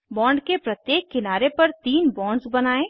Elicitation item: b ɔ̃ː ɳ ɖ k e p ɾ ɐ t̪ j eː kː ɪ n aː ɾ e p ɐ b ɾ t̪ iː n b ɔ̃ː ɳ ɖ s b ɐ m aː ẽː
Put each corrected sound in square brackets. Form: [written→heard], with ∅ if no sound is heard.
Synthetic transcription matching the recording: b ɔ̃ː ɳ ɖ k e p ɾ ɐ t̪ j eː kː ɪ n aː ɾ e p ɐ [b→∅] ɾ t̪ iː n b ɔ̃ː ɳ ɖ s b ɐ [m→n] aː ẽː